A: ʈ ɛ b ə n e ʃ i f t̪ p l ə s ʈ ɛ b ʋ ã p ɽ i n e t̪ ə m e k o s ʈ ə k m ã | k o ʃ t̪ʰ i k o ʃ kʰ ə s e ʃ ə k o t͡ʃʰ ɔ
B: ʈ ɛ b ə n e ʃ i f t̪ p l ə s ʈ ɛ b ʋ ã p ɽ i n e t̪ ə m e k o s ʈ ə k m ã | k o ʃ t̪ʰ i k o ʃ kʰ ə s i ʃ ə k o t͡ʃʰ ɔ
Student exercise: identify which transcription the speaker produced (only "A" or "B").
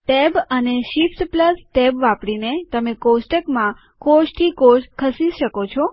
B